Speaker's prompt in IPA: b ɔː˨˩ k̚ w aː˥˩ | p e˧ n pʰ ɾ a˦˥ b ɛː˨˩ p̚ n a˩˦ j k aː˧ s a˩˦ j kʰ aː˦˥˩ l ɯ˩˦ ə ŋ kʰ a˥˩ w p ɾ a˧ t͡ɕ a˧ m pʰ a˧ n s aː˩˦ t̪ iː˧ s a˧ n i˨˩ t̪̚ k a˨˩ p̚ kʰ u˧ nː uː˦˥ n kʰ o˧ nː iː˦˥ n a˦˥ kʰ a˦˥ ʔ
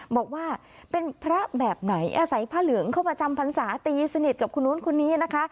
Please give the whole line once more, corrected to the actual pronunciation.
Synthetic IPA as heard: b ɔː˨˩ k̚ w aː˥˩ | p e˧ n pʰ ɾ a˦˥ b ɛː˨˩ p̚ n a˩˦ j ʔ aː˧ s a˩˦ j pʰ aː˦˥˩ l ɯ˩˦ ə ŋ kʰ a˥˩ w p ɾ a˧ t͡ɕ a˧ m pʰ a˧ n s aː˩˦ t̪ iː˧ s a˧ n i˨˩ t̪̚ k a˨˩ p̚ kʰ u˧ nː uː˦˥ n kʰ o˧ nː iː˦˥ n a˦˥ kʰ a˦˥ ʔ